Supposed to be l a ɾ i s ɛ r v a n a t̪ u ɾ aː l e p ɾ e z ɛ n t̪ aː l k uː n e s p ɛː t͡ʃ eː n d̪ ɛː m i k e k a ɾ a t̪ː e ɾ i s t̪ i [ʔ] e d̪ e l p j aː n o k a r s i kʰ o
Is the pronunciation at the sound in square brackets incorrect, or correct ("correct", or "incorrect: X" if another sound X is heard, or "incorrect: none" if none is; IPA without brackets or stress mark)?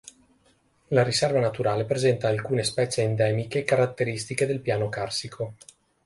incorrect: k